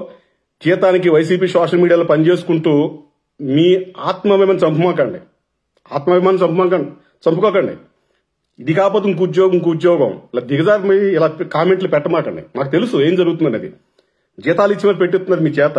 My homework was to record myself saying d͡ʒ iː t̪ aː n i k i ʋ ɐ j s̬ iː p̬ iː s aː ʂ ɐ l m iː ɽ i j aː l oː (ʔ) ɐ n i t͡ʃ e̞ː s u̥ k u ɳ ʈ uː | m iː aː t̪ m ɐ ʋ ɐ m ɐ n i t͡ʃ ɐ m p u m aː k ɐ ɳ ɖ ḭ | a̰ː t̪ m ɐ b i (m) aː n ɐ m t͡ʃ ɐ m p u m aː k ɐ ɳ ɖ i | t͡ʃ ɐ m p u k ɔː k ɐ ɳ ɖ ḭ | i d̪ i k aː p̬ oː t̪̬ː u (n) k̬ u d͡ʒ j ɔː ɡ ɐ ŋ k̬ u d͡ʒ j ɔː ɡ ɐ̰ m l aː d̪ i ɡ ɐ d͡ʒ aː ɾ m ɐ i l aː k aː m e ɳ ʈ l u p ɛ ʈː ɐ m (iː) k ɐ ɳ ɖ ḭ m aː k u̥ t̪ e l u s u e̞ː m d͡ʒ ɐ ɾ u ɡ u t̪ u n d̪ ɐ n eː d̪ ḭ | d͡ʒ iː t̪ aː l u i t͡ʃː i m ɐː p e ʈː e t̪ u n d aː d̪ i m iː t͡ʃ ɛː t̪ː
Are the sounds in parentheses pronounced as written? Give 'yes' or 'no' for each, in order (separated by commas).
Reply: no, yes, no, no